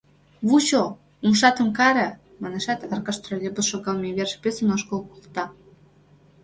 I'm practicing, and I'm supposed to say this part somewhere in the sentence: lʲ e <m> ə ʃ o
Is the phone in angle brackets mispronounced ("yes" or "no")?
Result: yes